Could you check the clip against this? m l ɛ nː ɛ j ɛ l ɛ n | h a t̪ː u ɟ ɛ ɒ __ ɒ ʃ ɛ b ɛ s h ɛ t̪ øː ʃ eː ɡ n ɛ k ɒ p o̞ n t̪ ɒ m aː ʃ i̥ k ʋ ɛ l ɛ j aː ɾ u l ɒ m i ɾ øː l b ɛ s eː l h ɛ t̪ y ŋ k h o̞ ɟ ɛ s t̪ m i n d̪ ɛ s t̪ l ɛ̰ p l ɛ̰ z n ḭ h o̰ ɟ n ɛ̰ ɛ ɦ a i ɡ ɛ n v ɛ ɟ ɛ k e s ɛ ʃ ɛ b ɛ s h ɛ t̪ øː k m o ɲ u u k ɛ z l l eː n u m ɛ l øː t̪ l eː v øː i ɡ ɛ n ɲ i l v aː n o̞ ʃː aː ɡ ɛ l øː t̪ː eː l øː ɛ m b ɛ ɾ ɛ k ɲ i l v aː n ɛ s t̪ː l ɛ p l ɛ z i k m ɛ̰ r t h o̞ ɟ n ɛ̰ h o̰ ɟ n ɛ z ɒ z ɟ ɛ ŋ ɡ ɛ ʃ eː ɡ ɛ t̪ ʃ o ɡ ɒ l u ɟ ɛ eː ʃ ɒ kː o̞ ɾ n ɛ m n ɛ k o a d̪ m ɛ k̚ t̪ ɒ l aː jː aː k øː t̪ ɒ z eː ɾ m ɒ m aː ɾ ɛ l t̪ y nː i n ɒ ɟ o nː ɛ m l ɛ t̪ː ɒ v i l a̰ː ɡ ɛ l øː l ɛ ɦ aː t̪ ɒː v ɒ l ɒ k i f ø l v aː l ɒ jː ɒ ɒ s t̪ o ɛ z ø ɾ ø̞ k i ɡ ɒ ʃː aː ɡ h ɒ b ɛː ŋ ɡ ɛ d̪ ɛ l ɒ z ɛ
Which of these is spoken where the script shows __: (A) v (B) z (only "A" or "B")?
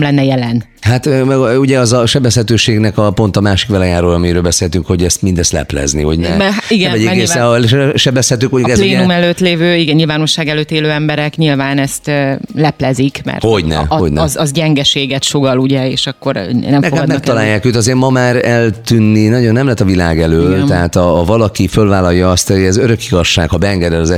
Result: B